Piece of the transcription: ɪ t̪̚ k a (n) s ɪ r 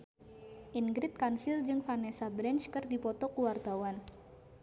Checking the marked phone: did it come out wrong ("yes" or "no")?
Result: no